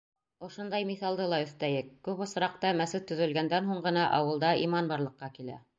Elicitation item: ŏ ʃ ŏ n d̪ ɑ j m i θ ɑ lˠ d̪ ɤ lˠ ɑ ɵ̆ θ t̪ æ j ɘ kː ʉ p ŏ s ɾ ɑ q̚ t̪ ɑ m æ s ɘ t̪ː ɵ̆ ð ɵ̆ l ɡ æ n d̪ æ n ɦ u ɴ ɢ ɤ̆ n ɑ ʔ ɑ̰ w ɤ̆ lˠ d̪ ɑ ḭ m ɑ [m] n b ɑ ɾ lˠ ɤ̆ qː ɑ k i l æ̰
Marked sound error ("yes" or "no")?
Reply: yes